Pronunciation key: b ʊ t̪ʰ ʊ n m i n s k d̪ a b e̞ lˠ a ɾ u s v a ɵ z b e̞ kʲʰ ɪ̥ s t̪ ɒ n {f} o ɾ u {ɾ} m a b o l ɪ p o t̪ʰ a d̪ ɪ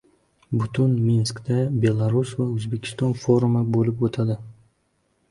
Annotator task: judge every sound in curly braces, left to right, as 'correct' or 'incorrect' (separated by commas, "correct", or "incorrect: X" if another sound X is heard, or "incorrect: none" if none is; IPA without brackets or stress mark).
correct, incorrect: none